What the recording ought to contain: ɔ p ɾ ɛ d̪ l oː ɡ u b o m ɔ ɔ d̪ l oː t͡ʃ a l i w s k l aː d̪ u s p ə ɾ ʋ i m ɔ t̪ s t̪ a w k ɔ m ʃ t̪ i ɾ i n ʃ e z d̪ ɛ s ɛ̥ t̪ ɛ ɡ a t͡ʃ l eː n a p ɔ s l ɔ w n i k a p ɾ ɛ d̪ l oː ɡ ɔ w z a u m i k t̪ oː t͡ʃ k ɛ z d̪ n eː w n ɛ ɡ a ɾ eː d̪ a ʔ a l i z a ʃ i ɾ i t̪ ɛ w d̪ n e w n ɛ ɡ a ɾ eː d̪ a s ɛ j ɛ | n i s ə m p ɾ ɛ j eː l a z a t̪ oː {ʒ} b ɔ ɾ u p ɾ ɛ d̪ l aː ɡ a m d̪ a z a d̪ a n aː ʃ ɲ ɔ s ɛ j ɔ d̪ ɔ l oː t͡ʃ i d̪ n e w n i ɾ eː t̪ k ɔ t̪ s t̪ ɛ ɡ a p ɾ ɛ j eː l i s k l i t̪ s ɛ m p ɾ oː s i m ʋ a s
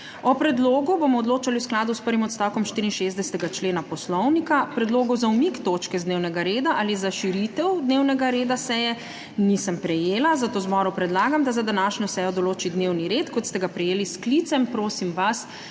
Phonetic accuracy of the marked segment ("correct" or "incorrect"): incorrect